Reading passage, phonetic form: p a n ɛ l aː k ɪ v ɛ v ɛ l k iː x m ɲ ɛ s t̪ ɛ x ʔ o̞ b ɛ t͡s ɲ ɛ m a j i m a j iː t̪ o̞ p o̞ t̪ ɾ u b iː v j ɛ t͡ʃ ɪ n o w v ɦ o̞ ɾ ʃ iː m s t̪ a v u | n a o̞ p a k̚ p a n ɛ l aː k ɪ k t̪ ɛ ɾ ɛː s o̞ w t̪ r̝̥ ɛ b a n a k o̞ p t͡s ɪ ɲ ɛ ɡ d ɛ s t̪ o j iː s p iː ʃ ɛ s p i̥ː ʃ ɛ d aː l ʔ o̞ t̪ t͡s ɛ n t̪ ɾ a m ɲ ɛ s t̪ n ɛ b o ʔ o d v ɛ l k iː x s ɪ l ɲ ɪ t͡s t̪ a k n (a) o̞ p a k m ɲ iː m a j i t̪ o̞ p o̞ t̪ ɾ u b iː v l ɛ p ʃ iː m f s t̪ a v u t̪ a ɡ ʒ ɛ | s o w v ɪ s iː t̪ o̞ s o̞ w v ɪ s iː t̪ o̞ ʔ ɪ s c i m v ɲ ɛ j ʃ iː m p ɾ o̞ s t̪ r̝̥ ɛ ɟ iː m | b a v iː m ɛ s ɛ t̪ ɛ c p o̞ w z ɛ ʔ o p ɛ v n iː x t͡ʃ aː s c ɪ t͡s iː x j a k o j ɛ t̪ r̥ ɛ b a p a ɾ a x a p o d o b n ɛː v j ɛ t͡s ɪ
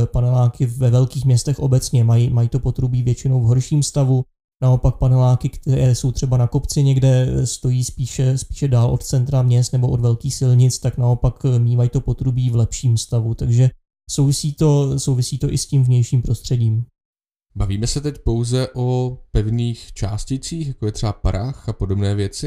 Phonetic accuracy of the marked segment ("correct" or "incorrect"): correct